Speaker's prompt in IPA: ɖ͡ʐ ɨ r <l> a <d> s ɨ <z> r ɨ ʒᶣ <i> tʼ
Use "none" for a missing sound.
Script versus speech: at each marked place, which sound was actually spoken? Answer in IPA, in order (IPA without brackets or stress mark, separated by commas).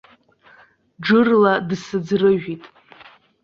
l, d, d͡z, i